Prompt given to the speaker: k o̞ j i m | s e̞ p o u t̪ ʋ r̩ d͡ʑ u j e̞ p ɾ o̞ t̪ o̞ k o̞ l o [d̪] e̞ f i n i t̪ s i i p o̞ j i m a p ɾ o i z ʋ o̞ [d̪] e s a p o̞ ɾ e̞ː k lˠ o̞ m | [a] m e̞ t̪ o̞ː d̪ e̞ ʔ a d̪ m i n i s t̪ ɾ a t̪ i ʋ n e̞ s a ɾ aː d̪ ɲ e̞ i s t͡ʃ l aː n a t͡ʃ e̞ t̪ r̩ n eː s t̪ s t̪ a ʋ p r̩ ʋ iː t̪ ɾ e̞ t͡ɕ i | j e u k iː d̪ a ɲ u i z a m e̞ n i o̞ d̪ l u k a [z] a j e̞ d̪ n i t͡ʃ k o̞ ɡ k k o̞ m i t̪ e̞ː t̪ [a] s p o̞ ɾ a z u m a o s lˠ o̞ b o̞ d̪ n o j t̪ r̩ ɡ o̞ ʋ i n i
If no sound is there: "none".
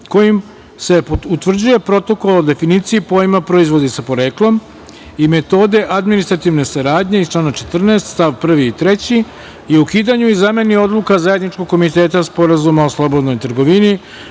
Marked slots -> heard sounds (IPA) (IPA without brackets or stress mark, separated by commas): d̪, d̪, i, z, a